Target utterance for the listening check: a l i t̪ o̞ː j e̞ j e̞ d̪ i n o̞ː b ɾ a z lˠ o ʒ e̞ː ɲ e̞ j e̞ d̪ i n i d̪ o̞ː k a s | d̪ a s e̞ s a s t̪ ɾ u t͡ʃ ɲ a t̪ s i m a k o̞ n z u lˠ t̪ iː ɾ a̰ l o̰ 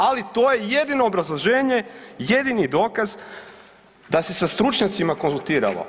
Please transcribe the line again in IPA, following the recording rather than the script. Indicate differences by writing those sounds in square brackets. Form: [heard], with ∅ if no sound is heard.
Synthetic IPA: a l i t̪ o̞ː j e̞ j e̞ d̪ i n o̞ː b ɾ a z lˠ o ʒ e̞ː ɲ e̞ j e̞ d̪ i n i d̪ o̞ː k a [z] | d̪ a s e̞ s a s t̪ ɾ u t͡ʃ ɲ a t̪ s i m a k o̞ n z u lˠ t̪ iː ɾ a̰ l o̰